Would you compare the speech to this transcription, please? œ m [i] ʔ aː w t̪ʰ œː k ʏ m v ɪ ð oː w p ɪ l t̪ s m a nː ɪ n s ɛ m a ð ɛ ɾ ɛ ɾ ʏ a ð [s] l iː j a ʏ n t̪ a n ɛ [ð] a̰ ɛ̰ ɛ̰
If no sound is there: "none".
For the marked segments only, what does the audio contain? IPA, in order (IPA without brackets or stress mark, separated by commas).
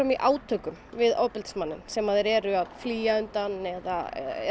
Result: i, f, ð